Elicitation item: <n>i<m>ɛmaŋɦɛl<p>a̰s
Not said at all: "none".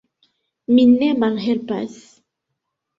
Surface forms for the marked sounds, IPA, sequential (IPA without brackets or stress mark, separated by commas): m, n, p